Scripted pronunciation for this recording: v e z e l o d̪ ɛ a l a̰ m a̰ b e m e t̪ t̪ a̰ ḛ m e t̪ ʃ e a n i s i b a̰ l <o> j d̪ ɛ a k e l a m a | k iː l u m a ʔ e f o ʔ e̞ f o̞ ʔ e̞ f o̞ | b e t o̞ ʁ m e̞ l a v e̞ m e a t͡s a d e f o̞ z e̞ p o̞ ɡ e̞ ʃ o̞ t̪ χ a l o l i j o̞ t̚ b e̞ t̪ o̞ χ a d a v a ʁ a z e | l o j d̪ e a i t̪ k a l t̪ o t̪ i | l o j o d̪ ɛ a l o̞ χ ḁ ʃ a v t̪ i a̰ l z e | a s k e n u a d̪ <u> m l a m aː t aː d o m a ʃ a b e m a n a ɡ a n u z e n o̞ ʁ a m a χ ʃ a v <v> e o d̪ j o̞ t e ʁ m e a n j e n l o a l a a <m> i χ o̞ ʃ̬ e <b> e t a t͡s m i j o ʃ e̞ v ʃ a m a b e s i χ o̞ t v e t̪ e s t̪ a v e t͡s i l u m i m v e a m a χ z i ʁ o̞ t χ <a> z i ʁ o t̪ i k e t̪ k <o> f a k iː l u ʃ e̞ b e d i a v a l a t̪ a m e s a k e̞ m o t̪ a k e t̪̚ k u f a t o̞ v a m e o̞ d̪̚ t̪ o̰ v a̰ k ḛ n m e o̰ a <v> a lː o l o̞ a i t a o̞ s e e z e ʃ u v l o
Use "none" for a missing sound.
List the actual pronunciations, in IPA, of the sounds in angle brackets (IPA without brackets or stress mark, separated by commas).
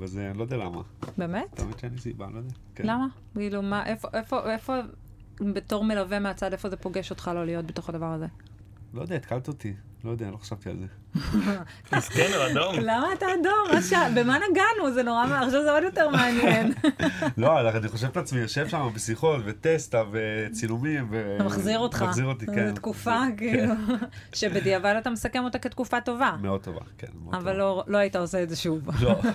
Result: o, o, z, n, v, a, u, v